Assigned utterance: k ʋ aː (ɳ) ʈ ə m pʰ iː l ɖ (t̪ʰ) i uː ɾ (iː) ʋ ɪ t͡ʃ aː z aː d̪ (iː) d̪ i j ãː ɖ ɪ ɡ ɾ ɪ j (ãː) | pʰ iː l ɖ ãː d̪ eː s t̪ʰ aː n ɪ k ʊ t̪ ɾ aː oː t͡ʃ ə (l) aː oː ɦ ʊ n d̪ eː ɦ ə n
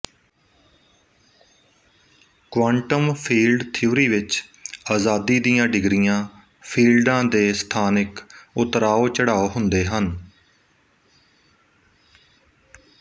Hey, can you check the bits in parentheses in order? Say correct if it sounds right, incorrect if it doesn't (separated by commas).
correct, correct, correct, correct, correct, incorrect